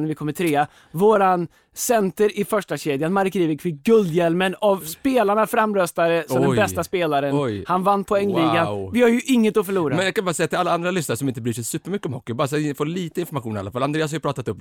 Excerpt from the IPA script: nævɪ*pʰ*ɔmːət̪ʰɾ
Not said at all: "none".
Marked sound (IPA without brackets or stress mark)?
kʰ